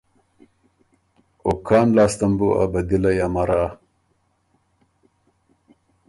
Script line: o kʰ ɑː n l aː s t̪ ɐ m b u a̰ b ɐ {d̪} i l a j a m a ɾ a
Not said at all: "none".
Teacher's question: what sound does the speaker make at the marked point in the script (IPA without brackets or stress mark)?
d̪